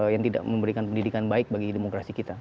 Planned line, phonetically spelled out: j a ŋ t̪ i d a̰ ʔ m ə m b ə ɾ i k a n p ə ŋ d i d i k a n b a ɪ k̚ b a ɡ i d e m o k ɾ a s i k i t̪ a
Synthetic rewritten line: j a ŋ t̪ i d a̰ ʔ m ə m b ə ɾ i k a n p ə n d i d i k a n b a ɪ k̚ b a ɡ i d e m o k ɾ a s i k i t̪ a